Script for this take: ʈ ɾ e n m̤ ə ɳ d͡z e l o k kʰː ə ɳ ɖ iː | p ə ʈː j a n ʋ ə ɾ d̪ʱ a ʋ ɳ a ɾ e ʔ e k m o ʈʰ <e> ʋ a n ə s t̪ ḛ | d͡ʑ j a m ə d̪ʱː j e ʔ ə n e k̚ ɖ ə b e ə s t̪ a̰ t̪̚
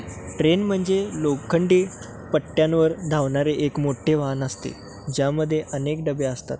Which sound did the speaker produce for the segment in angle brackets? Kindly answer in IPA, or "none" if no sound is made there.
e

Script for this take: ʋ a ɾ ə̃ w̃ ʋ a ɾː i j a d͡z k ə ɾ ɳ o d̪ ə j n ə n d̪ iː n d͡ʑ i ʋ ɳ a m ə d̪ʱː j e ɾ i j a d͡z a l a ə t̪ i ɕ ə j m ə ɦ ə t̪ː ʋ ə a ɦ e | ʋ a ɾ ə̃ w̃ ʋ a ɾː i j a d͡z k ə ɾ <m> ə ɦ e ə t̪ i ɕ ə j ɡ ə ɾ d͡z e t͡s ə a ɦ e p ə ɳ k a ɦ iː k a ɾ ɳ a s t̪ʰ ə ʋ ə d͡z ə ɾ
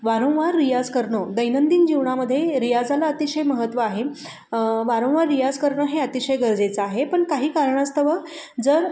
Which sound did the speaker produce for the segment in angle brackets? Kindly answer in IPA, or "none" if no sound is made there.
ɳ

